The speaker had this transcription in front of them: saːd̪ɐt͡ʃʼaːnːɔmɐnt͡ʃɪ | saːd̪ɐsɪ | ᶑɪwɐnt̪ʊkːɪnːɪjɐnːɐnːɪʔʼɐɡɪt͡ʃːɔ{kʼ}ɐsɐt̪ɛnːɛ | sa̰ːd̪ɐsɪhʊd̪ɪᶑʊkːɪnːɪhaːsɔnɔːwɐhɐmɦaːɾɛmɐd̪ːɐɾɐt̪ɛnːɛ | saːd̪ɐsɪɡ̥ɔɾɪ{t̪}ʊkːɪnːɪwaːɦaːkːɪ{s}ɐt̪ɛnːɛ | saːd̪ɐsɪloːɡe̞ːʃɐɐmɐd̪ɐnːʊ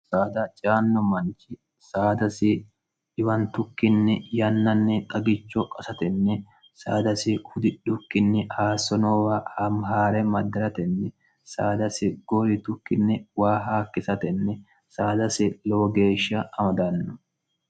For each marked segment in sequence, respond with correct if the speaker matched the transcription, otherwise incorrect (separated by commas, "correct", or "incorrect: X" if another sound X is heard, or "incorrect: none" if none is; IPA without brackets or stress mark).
correct, correct, correct